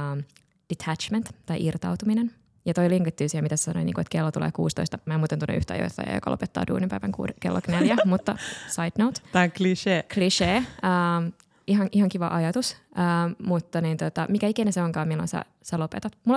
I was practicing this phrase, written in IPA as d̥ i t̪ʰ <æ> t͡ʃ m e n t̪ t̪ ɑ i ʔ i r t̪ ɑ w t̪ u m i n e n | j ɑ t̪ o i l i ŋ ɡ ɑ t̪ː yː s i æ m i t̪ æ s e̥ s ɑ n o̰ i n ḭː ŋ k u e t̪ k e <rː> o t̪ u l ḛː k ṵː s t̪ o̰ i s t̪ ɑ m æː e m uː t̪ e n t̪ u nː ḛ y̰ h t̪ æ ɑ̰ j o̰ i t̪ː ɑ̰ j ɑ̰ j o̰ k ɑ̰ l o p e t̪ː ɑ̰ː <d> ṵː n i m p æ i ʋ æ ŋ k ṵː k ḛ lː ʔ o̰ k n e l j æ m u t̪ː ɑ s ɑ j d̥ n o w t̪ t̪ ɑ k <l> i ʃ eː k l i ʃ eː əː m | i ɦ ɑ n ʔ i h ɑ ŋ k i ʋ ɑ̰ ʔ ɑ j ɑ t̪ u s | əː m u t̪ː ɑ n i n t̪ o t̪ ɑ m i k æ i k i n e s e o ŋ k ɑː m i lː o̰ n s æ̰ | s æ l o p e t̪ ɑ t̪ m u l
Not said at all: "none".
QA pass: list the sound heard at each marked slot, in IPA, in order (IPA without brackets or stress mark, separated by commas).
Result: æ, lː, d, l